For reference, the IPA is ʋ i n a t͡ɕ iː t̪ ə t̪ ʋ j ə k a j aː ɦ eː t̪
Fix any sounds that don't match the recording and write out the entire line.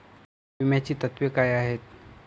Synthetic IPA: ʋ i m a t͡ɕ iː t̪ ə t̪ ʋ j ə k a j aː ɦ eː t̪